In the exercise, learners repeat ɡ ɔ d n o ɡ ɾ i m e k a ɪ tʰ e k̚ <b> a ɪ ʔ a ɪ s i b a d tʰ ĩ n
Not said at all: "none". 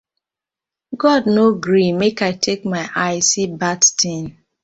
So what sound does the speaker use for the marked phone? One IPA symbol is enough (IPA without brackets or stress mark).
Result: m